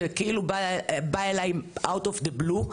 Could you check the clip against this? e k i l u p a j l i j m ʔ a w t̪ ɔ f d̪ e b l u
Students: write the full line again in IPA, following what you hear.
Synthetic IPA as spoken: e k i l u b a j l a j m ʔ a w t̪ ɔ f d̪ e b l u

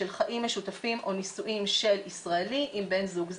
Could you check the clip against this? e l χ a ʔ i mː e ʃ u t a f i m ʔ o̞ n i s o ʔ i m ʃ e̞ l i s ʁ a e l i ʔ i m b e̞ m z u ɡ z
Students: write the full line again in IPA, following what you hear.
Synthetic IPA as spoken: e l χ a ʔ i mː e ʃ u t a f i m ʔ o̞ n i s u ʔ i m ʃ e̞ l i s ʁ a e l i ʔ i m b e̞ n z u ɡ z

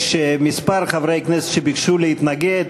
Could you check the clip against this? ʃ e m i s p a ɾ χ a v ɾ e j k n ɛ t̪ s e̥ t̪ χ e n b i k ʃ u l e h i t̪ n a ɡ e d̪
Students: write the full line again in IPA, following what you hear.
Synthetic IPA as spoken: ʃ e m i s p a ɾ χ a v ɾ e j k n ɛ s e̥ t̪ ʃ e b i k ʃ u l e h i t̪ n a ɡ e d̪

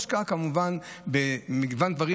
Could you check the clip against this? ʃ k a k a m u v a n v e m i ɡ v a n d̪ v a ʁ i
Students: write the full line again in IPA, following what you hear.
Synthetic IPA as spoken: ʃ k a k a m u v a n b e m i ɡ v a n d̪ v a ʁ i

